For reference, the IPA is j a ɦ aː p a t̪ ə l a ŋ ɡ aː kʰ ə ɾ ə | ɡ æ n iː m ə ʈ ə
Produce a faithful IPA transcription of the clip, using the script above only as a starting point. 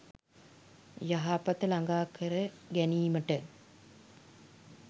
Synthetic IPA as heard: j a ɦ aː p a t̪ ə l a ŋ ɡ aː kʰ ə ɾ ə | ɡ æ n iː m ə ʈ ə